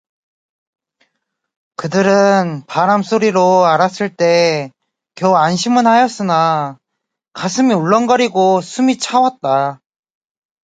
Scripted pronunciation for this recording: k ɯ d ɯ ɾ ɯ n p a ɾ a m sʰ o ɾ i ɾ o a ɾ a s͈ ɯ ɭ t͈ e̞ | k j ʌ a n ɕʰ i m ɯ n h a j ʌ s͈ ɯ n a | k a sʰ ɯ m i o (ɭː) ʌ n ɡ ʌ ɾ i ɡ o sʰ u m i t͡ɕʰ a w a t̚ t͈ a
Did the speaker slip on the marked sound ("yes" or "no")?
no